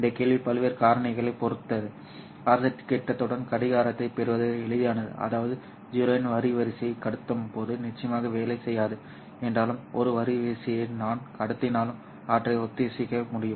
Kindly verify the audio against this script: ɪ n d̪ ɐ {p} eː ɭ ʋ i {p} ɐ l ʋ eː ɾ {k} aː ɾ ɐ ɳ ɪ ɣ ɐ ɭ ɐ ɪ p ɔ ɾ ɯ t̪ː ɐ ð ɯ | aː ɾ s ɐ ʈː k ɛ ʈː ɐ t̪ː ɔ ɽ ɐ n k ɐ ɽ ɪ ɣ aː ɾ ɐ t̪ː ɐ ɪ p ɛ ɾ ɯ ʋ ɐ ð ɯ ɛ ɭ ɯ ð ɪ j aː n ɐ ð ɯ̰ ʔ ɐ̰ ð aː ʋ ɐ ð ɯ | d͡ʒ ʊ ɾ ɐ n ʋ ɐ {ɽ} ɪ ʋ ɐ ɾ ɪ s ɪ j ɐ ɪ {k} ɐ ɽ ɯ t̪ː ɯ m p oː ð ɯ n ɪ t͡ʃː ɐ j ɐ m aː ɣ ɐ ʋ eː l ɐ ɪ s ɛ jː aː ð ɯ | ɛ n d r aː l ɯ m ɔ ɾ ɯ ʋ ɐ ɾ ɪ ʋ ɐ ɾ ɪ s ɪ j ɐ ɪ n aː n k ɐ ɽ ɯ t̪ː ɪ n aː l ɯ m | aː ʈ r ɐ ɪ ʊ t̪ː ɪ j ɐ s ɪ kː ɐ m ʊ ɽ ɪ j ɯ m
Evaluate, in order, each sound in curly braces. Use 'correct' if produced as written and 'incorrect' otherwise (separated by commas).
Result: incorrect, correct, correct, incorrect, correct